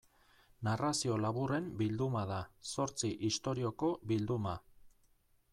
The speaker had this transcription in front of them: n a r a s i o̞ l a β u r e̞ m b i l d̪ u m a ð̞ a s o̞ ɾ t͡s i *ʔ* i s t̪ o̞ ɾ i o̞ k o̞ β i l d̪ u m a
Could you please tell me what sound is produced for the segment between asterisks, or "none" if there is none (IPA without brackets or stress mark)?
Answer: ʔ